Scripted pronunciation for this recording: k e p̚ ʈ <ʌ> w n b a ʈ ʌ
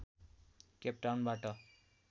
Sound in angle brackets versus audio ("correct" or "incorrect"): incorrect